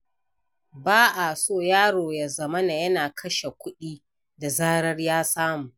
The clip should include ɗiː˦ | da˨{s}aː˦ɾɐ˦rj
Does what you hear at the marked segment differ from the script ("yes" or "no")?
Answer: yes